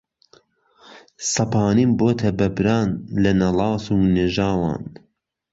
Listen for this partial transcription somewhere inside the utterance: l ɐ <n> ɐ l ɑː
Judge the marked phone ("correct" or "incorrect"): correct